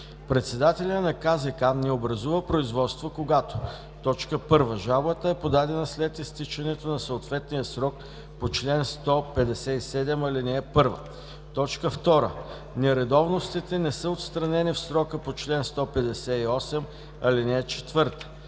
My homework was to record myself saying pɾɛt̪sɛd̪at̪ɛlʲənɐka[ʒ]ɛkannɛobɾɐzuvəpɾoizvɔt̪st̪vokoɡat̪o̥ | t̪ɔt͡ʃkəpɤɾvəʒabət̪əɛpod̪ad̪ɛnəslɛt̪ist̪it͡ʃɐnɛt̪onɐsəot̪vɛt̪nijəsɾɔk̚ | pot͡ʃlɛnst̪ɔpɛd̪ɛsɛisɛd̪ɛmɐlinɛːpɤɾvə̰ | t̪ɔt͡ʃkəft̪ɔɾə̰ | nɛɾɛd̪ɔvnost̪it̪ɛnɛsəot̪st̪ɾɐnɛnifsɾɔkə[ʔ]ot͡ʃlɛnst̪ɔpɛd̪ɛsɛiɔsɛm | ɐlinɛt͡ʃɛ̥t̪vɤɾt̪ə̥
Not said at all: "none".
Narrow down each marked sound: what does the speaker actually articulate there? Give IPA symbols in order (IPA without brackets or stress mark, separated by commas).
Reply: z, p